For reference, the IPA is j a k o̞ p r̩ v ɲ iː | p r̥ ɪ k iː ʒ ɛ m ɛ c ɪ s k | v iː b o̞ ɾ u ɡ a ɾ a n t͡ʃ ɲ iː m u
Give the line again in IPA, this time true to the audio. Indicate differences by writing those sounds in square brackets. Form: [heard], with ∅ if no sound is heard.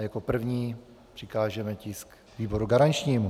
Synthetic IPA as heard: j a k o̞ p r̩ v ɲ iː | p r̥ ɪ k [aː] ʒ ɛ m ɛ c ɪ s k | v iː b o̞ ɾ u ɡ a ɾ a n t͡ʃ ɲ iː m u